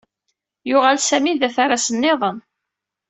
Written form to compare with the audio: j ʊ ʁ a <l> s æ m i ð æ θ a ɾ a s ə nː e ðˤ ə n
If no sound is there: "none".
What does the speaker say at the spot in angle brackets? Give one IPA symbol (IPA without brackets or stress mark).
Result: l